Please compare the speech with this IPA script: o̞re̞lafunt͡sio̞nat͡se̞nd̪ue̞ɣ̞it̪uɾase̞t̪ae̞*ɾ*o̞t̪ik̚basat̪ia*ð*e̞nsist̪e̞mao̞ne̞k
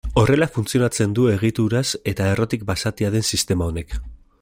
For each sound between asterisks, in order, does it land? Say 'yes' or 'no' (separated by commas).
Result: no, yes